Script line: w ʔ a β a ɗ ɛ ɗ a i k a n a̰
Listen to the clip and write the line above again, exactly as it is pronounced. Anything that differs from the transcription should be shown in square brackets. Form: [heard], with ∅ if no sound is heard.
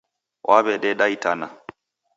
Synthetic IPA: w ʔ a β [ɛ] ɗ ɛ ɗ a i [t] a n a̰